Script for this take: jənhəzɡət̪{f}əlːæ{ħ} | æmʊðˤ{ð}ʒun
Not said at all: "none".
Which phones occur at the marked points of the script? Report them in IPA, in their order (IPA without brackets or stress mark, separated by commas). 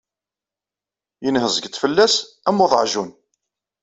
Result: f, s, ʕ